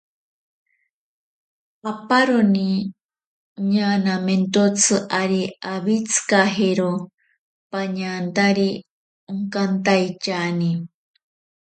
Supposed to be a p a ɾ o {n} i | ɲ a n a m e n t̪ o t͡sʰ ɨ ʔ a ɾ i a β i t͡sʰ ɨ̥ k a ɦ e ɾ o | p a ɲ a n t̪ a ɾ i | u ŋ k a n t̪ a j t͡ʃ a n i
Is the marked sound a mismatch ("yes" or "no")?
no